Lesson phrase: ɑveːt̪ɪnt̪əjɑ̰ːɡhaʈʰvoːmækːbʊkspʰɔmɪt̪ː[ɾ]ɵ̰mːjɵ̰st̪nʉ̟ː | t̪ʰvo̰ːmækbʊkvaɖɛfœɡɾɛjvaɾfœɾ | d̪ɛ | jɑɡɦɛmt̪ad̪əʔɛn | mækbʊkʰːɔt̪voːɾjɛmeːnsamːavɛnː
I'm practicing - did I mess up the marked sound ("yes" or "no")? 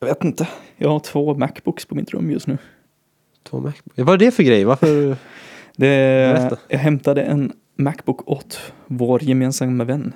no